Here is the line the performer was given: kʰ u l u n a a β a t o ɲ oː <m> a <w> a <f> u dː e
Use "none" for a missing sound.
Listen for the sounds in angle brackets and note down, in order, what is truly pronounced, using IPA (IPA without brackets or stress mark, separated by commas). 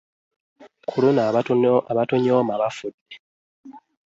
m, β, f